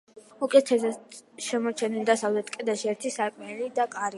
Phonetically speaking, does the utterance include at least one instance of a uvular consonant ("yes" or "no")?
no